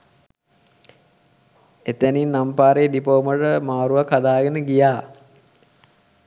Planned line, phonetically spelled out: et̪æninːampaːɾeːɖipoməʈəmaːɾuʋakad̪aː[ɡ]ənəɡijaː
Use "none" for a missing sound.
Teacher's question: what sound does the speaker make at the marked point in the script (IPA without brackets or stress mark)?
ɡ